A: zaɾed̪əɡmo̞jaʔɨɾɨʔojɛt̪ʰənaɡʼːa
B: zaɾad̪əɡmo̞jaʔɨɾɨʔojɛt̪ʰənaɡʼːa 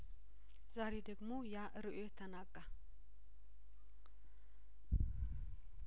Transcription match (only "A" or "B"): A